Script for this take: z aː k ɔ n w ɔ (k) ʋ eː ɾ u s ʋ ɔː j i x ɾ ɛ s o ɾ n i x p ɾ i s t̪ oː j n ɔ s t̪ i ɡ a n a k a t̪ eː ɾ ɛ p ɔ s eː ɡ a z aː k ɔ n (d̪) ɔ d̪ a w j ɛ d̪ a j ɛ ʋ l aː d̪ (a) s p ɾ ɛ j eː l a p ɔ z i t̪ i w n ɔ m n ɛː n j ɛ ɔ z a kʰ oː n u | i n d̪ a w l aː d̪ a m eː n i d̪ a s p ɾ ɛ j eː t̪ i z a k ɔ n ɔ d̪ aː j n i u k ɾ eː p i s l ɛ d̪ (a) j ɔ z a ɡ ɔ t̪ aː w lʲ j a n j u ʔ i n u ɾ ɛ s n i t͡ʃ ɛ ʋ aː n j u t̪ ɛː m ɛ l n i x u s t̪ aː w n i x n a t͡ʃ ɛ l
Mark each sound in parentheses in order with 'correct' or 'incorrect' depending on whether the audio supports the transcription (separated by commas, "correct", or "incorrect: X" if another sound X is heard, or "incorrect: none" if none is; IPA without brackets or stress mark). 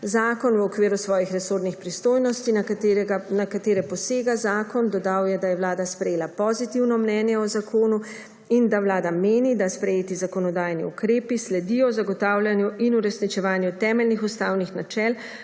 correct, correct, correct, incorrect: i